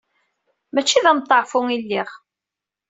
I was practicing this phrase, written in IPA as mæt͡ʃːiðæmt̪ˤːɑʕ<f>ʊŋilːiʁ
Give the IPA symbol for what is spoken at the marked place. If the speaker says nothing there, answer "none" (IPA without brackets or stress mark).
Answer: f